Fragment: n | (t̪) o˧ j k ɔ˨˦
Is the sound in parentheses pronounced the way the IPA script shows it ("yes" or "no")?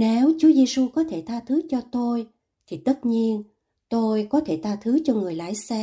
yes